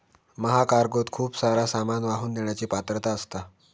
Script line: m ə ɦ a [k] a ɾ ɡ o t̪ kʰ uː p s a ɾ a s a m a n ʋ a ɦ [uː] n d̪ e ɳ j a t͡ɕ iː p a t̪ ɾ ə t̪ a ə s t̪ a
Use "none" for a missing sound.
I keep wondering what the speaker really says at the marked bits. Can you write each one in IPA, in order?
k, uː

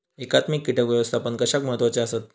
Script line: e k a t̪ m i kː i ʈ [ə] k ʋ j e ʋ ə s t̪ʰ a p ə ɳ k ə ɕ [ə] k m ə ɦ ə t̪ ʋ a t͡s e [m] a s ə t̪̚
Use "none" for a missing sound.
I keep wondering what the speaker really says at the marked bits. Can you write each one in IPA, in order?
ə, a, none

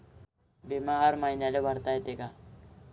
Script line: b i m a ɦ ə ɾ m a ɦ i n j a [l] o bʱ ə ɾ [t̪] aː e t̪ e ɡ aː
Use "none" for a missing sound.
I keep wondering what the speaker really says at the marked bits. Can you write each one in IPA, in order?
l, t̪

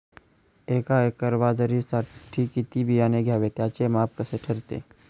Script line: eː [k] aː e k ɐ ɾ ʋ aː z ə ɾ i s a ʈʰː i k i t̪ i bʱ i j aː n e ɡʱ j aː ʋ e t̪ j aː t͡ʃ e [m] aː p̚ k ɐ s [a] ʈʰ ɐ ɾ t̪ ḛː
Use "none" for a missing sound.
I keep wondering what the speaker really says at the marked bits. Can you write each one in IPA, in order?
k, m, e

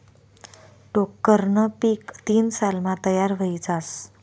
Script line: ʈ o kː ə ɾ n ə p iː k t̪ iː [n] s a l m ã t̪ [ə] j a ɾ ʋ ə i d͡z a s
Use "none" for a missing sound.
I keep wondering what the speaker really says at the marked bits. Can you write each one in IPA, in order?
n, ə

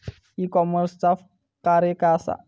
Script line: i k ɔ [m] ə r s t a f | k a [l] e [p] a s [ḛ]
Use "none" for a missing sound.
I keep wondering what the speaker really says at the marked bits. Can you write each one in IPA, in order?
m, ɾ, k, a̰

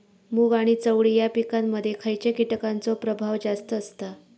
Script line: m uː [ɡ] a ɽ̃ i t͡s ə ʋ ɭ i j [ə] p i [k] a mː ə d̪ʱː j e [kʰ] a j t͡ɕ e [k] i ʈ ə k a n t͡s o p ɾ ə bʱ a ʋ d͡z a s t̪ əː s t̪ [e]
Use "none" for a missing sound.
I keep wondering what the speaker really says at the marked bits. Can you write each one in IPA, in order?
ɡ, a, k, kʰ, k, a

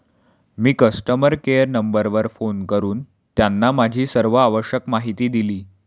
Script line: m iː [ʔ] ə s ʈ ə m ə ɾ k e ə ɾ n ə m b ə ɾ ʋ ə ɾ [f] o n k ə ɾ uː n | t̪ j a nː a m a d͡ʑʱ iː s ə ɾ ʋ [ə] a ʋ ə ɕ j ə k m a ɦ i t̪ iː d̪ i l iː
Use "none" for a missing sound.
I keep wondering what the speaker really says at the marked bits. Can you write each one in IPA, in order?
k, f, ə

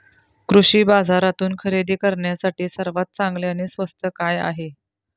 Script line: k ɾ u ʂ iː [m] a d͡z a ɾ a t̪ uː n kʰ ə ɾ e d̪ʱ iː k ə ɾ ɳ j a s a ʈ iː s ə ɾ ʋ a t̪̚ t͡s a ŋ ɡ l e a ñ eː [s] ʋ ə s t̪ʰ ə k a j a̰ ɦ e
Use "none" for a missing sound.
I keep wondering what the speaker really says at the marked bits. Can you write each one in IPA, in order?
b, s

